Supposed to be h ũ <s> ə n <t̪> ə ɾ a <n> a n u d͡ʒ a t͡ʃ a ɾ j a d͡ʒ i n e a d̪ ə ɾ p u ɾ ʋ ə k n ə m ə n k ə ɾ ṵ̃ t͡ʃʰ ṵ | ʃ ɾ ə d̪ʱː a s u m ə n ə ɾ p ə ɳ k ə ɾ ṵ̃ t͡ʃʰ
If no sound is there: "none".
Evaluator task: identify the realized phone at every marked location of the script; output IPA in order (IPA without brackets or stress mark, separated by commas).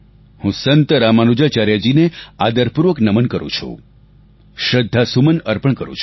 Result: s, t̪, m